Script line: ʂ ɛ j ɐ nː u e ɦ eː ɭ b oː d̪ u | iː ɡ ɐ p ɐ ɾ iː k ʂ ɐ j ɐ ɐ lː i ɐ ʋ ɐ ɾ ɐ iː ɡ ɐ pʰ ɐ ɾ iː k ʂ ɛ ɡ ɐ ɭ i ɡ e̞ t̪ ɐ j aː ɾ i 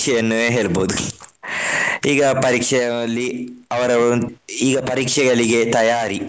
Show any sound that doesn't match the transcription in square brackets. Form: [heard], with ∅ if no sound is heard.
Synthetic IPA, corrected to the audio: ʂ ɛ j ɐ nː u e ɦ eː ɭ b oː d̪ u | iː ɡ ɐ p ɐ ɾ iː k ʂ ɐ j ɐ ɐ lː i ɐ ʋ ɐ ɾ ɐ iː ɡ ɐ [p] ɐ ɾ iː k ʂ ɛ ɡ ɐ ɭ i ɡ e̞ t̪ ɐ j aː ɾ i